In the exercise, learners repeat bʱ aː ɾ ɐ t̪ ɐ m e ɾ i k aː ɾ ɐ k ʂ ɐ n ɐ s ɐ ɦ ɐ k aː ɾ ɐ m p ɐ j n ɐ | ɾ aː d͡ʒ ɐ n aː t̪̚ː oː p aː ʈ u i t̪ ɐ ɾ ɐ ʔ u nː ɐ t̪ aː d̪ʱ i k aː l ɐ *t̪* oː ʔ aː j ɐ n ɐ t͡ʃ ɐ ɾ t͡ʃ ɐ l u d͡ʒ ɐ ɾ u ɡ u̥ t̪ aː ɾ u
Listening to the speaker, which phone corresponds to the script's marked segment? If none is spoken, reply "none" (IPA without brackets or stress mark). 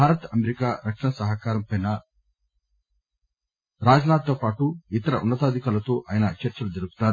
t̪